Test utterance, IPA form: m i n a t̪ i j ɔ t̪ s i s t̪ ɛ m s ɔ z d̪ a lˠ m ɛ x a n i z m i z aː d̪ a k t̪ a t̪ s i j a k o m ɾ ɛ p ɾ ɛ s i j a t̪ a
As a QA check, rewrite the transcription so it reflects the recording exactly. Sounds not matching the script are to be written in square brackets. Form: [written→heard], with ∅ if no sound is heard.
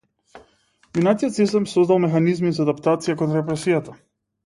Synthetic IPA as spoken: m i n a t̪ i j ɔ t̪ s i s t̪ ɛ m s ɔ z d̪ a lˠ m ɛ x a n i z m i z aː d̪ a [k→p] t̪ a t̪ s i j a k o [m→n] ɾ ɛ p ɾ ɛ s i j a t̪ a